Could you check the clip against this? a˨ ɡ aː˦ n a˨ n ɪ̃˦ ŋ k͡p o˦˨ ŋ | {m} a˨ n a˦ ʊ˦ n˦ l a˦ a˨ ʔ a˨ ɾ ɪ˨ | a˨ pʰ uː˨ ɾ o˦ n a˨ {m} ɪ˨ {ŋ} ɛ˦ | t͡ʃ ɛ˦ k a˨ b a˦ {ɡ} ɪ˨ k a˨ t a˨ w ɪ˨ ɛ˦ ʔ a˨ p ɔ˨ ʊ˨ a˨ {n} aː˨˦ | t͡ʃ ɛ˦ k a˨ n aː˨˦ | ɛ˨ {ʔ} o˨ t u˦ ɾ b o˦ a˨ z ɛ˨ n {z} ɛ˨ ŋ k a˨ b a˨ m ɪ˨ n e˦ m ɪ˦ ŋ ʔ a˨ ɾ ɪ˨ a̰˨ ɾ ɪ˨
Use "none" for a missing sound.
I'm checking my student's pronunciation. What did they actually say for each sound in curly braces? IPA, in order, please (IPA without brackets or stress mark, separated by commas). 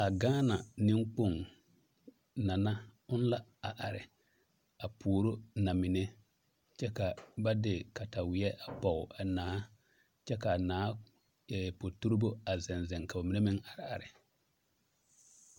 n, m, n, d, n, p, z